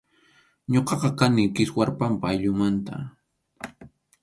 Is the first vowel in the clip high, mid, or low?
mid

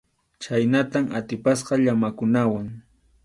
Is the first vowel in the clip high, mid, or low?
low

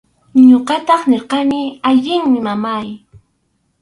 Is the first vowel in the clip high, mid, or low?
mid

